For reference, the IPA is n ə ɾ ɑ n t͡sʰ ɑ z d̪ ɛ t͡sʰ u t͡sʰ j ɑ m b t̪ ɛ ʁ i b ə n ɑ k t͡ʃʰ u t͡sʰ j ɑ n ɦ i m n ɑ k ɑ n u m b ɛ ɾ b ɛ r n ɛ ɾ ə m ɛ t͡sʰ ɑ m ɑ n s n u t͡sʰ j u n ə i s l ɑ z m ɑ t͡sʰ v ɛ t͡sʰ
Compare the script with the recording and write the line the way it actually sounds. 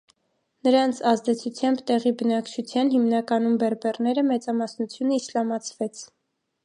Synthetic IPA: n ə ɾ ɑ n t͡sʰ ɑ z d̪ ɛ t͡sʰ u t͡sʰ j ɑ m b t̪ ɛ ʁ i b ə n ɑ k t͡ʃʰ u t͡sʰ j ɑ n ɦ i m n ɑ k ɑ n u m b ɛ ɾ b ɛ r n ɛ ɾ ə m ɛ t͡s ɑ m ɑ s n u t͡sʰ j u n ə i s l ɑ m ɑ t͡sʰ v ɛ t͡sʰ